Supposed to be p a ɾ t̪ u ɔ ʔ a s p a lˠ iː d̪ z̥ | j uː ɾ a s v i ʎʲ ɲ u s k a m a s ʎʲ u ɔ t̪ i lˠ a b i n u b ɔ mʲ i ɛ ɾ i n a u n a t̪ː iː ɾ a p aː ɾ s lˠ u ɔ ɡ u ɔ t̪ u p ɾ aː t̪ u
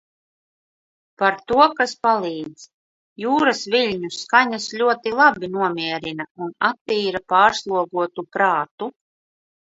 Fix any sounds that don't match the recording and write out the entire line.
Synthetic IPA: p a ɾ t̪ u ɔ k a s p a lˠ iː d̪ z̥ | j uː ɾ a s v i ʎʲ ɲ u s k a ɲ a s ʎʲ u ɔ t̪ i lˠ a b i n u ɔ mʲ i ɛ ɾ i n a u n a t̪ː iː ɾ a p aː ɾ s lˠ u ɔ ɡ u ɔ t̪ u p ɾ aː t̪ u